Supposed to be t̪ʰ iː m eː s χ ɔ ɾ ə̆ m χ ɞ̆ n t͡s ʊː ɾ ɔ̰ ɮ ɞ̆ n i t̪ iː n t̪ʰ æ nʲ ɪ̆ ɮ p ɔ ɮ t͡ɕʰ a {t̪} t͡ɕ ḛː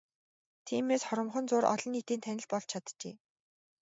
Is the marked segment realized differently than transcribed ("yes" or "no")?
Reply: no